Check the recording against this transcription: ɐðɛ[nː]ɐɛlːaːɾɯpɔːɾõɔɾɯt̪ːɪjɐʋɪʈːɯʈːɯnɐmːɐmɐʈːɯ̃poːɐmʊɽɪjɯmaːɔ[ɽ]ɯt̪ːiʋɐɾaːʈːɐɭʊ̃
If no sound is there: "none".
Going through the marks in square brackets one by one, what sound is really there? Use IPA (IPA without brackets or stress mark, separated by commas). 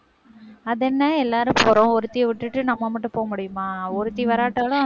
nː, ɾ